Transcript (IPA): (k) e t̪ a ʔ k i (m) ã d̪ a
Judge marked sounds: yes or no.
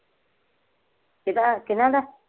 yes, no

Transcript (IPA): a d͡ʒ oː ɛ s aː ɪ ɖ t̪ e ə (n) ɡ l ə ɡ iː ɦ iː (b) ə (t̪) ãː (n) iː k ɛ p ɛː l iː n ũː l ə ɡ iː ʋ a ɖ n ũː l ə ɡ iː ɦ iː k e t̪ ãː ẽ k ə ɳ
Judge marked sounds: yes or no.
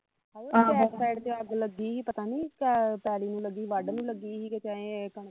no, no, yes, yes

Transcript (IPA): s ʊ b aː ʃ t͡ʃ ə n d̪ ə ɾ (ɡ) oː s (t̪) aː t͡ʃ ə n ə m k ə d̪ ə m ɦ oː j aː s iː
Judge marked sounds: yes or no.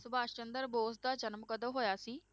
no, no

